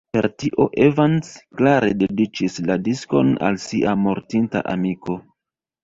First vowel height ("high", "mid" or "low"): mid